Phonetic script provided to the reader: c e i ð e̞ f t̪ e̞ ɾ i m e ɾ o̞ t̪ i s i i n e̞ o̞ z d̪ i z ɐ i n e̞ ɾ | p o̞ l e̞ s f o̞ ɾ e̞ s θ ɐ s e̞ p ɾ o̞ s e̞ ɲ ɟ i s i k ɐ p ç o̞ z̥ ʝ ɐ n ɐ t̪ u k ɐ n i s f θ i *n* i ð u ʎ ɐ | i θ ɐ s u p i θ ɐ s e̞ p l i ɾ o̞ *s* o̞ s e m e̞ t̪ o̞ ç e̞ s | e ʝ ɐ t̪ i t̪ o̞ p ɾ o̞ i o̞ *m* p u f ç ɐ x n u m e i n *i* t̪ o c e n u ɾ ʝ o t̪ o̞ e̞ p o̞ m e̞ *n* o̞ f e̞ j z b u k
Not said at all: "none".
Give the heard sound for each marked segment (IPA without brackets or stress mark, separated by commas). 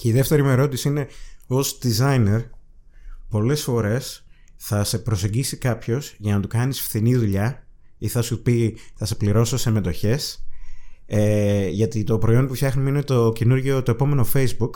n, s, n, e, n